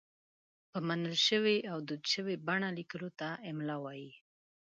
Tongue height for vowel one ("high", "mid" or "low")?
mid